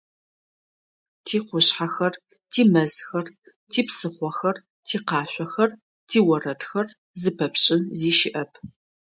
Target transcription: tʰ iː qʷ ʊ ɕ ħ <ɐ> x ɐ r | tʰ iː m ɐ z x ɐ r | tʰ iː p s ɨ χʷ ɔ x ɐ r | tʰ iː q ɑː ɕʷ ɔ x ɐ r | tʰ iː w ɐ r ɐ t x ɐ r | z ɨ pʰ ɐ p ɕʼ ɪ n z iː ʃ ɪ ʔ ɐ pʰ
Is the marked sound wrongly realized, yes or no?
yes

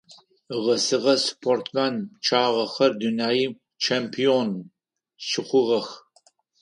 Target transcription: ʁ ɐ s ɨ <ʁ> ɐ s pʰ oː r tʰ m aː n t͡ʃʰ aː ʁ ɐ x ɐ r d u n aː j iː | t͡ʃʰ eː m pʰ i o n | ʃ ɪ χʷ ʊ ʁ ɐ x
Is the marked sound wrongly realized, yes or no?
no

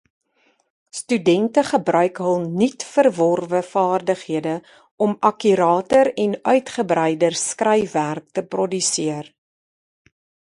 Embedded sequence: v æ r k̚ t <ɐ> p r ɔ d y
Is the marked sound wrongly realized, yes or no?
yes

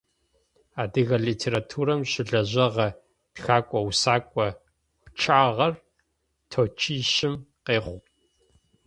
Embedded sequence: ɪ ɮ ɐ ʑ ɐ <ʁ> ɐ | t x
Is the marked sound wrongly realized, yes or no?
no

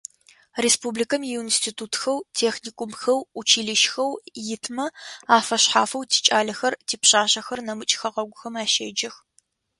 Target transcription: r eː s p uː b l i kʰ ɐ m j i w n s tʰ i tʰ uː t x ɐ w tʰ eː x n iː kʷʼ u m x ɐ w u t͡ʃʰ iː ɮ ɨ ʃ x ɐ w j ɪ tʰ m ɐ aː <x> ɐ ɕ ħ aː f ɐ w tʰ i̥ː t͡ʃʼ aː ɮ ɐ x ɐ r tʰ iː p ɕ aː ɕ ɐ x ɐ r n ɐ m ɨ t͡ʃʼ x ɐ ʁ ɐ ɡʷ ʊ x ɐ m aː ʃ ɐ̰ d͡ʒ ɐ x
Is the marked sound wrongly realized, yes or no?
yes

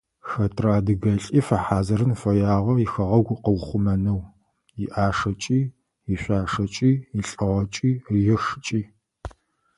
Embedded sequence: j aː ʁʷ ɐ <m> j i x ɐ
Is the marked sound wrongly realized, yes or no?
yes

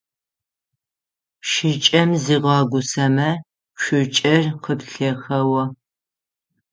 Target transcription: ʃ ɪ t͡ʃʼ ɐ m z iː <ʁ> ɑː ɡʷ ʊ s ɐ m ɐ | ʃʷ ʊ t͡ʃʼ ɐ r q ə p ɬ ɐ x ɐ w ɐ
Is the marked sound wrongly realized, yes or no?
no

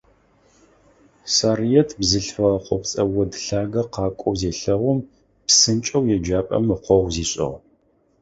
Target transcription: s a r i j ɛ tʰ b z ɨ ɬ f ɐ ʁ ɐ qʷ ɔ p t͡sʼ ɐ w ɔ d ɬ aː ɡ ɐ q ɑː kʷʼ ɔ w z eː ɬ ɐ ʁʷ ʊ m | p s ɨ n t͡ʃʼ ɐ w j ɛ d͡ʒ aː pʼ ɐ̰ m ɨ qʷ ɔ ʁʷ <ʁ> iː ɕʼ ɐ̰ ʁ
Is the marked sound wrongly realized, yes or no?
yes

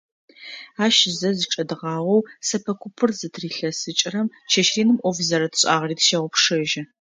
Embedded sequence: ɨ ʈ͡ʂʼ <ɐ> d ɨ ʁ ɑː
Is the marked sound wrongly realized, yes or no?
no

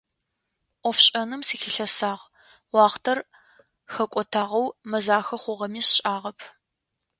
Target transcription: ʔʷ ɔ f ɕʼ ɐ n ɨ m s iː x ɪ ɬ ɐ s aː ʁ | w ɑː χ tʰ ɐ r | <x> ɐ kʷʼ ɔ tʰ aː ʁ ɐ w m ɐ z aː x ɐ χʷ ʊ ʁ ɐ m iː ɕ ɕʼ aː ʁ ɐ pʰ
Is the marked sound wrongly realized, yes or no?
no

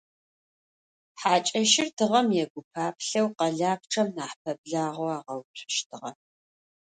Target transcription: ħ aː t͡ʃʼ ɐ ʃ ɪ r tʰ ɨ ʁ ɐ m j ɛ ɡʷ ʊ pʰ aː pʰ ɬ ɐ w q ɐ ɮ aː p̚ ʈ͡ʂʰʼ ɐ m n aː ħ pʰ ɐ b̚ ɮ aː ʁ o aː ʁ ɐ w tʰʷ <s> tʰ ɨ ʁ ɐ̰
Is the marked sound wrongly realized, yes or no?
yes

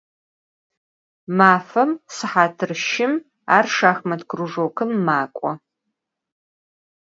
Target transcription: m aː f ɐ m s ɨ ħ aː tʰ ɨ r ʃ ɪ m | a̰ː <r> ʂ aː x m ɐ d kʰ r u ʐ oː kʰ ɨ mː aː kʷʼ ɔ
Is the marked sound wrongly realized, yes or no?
no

